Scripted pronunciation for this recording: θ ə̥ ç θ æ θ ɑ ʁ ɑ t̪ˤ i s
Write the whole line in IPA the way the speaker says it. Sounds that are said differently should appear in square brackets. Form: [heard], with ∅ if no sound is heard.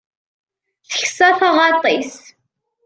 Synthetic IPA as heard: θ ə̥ ç [s] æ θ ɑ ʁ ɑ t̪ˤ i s